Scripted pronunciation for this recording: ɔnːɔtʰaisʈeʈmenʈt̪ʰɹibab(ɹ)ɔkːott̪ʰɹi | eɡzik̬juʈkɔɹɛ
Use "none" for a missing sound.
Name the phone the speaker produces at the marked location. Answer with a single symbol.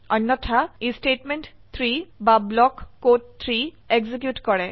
l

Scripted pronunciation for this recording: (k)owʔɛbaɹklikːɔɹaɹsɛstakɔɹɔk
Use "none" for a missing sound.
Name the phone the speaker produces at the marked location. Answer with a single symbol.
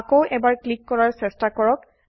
k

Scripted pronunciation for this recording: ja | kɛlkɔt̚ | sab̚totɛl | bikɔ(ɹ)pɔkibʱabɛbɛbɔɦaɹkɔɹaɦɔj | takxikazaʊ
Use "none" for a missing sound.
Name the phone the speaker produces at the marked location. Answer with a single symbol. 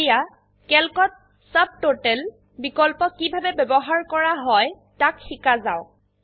l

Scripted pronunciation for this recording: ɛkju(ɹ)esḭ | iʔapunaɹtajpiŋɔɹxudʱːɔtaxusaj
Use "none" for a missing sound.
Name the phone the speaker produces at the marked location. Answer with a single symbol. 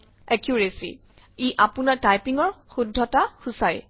ɹ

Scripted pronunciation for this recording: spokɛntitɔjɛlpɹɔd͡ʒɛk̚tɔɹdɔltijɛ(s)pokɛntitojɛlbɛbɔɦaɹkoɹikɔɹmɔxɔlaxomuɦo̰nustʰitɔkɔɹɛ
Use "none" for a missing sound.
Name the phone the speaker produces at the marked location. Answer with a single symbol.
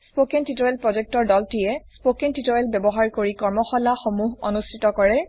s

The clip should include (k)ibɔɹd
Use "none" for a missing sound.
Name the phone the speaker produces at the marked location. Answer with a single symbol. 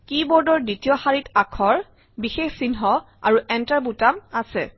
k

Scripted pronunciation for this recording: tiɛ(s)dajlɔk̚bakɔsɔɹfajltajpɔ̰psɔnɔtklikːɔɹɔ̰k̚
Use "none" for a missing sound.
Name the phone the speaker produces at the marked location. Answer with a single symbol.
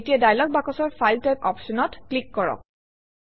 none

